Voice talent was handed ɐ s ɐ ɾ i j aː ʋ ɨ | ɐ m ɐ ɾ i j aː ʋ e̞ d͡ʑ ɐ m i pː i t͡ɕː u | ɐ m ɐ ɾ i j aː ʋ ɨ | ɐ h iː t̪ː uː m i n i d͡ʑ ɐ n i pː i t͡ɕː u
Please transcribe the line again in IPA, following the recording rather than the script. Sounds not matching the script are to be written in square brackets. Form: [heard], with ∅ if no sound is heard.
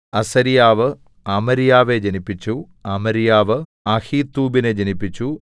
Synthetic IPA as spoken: ɐ s ɐ ɾ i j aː ʋ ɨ | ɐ m ɐ ɾ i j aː ʋ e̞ d͡ʑ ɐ [n] i pː i t͡ɕː u | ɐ m ɐ ɾ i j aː ʋ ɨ | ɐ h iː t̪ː uː [b] i n [e] d͡ʑ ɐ n i pː i t͡ɕː u